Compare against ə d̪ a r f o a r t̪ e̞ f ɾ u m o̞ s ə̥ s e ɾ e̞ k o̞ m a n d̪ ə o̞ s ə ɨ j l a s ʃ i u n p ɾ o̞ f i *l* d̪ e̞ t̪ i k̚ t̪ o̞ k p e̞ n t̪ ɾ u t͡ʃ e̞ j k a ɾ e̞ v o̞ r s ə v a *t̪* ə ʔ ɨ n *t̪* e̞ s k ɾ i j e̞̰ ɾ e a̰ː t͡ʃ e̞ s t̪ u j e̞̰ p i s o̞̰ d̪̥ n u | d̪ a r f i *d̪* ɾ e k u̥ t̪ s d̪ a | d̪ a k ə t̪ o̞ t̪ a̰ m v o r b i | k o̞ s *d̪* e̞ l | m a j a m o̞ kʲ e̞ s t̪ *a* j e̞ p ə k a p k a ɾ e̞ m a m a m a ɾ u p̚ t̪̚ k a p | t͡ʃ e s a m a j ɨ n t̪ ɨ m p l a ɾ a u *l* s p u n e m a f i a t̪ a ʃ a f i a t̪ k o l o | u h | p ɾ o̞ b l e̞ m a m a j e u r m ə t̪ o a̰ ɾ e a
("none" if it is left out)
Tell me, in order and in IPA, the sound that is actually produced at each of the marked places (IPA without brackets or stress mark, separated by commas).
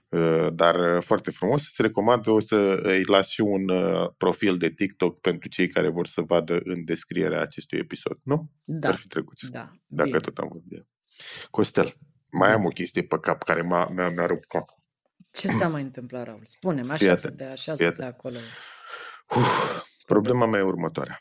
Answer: l, d̪, d̪, t̪, t̪, i, l